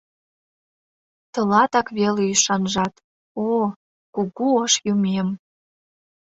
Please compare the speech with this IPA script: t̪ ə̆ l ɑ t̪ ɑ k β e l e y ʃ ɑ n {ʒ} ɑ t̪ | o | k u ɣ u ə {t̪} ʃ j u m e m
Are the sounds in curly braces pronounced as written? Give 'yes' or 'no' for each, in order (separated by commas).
yes, no